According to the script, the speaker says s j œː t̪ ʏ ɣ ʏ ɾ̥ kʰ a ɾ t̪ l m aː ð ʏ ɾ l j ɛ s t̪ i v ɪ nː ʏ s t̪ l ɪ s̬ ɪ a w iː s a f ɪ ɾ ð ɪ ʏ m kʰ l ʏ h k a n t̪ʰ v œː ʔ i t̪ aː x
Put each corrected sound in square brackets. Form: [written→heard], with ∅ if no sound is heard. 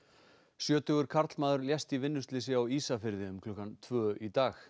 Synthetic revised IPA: s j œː t̪ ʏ ɣ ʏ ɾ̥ kʰ a ɾ t̪ l m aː ð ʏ ɾ l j ɛ s t̪ i v ɪ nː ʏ s t̪ l ɪ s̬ ɪ a w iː s a f ɪ ɾ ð ɪ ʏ m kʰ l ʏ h k a n t̪ʰ v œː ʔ i t̪ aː x